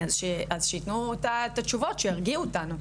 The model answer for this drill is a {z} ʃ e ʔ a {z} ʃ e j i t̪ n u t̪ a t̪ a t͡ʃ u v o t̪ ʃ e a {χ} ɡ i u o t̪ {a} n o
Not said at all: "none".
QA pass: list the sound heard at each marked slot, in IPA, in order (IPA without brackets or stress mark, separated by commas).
z, z, ʁ, a